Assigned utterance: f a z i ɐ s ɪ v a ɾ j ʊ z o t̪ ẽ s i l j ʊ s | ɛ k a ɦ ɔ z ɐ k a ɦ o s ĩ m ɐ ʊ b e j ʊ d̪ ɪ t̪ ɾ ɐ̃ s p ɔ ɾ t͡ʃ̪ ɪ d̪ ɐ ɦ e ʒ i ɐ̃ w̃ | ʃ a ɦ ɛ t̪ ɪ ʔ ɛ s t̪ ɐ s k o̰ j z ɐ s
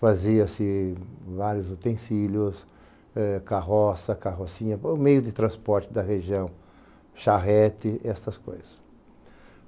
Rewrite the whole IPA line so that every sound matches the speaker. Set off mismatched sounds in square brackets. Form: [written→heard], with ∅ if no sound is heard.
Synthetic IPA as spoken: f a z i ɐ s ɪ v a ɾ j ʊ z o t̪ ẽ s i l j ʊ s | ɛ k a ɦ ɔ [z→s] ɐ k a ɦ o s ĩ [m→ɲ] ɐ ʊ [b→m] e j ʊ d̪ ɪ t̪ ɾ ɐ̃ s p ɔ ɾ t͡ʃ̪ ɪ d̪ ɐ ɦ e ʒ i ɐ̃ w̃ | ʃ a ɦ ɛ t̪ ɪ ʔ ɛ s t̪ ɐ s k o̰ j z ɐ s